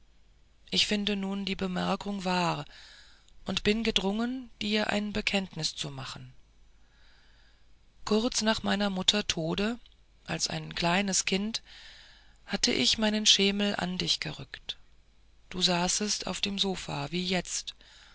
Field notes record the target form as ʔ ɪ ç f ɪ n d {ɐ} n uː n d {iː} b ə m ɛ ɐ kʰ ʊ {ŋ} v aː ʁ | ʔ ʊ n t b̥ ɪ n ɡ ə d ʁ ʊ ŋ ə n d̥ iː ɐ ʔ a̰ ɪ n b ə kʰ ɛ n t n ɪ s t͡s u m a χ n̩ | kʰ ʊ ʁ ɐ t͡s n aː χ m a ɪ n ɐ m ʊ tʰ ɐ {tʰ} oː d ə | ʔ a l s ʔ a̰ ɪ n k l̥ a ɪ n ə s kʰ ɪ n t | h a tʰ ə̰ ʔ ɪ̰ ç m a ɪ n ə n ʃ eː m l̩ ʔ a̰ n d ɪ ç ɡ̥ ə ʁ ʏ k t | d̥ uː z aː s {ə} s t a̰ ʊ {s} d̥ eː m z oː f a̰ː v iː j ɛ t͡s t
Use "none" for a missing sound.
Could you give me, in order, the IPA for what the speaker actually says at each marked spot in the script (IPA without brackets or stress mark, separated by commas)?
ə, iː, ŋ, tʰ, ə, f